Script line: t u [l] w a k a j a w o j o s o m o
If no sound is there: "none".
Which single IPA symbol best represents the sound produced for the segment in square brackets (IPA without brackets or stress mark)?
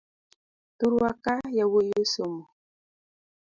ɾ